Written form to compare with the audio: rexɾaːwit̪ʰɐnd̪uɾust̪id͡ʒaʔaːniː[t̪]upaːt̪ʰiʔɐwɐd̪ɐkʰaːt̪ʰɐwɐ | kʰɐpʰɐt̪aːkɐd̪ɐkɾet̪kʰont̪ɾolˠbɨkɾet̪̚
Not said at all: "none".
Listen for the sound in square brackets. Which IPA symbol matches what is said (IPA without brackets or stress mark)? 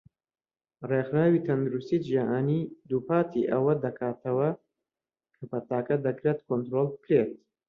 d̪